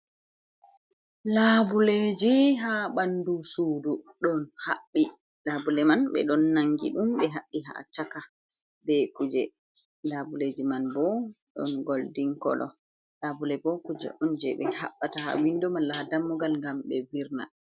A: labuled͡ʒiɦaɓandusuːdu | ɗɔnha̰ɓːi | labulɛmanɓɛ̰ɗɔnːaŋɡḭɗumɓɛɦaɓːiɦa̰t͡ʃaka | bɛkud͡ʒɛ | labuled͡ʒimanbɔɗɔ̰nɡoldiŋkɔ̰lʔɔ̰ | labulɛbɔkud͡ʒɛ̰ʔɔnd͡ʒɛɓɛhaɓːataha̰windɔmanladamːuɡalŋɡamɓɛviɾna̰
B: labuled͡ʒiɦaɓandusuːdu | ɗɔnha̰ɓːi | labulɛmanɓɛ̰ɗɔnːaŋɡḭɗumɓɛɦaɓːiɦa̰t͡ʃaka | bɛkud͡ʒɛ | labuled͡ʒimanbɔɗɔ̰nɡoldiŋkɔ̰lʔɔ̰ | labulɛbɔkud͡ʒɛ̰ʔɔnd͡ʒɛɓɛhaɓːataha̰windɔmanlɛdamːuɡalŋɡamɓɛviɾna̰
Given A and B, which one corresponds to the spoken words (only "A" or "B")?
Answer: A